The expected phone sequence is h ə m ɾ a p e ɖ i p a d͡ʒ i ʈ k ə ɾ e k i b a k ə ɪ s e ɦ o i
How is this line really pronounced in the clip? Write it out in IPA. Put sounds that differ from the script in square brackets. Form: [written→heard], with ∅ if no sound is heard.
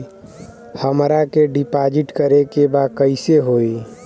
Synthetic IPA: h ə m ɾ a [p→k] e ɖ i p a d͡ʒ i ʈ k ə ɾ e k [i→e] b a k ə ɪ s e ɦ o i